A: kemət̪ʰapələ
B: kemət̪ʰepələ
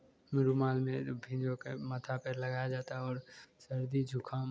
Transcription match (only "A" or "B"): A